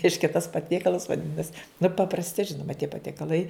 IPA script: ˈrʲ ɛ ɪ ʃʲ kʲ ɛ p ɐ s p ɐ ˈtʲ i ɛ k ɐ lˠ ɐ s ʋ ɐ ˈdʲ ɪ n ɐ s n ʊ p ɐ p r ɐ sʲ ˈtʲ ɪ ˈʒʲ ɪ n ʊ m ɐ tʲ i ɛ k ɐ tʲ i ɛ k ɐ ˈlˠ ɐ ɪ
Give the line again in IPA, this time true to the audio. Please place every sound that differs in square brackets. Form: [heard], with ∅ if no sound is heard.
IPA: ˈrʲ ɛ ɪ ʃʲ kʲ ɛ [t] ɐ s p ɐ ˈtʲ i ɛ k ɐ lˠ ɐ s ʋ ɐ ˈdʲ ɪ n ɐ s n ʊ p ɐ p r ɐ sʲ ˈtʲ ɪ ˈʒʲ ɪ n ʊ m ɐ tʲ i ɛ [p] ɐ tʲ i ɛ k ɐ ˈlˠ ɐ ɪ